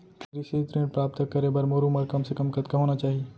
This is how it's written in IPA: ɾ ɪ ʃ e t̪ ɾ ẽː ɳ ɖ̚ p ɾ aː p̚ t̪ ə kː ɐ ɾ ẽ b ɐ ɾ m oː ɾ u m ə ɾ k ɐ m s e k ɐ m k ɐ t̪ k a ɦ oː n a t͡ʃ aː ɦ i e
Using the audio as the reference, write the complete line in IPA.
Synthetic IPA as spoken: ɾ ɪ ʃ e t̪ ɾ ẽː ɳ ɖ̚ p ɾ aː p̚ t̪ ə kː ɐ ɾ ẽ b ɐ ɾ m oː ɾ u m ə ɾ k ɐ m s e k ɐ m k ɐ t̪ k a ɦ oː n a t͡ʃ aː ɦ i e